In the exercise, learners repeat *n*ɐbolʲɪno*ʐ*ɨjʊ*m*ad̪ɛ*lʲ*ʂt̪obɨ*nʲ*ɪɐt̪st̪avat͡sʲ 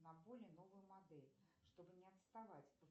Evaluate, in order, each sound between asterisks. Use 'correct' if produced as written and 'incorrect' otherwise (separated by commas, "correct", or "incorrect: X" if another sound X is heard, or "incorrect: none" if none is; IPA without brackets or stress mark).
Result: correct, incorrect: v, correct, correct, correct